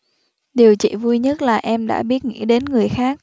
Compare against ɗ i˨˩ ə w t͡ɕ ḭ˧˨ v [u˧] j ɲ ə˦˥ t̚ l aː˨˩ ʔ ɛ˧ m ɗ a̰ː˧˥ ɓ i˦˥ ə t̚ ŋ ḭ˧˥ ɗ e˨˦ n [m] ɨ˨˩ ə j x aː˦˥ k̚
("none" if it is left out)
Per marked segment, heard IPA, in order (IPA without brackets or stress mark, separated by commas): u˧, ŋ